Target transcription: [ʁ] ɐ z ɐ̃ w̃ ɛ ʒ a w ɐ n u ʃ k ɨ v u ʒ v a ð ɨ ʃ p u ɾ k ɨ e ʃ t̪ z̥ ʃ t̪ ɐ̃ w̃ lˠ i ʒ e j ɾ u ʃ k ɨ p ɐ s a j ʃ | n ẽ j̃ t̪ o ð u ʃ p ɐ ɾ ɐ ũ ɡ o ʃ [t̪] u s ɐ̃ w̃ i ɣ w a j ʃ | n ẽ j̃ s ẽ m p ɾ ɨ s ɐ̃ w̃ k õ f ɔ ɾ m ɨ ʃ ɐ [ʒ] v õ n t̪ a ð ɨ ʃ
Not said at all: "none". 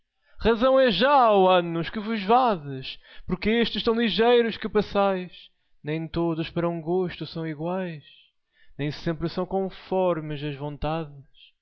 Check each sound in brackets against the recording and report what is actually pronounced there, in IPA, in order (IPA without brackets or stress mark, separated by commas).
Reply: ʁ, t̪, ʒ